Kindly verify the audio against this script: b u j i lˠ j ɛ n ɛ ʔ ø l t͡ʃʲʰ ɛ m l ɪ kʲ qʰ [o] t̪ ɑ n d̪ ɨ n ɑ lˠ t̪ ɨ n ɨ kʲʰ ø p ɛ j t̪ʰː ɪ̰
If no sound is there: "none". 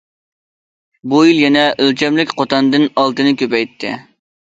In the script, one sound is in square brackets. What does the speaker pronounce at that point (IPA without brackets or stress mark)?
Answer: o